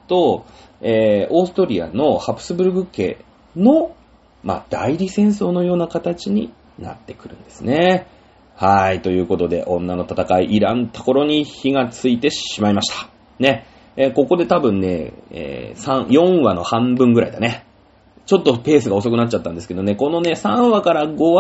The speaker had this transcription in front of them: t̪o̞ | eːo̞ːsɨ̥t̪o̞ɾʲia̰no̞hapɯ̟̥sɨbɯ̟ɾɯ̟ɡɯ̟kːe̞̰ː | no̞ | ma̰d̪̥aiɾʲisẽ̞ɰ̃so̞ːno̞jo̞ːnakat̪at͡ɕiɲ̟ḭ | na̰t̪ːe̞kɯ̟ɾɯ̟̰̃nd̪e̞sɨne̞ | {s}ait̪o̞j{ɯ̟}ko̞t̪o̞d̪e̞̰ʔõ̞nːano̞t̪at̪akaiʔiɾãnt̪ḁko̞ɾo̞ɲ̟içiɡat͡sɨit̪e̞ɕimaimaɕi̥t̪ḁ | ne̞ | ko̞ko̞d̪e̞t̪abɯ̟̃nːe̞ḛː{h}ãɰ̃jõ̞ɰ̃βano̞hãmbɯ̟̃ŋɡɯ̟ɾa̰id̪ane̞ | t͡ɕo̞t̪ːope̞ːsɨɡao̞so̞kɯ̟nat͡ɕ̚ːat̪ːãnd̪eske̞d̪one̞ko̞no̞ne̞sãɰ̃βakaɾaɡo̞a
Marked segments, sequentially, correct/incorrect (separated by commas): incorrect, incorrect, incorrect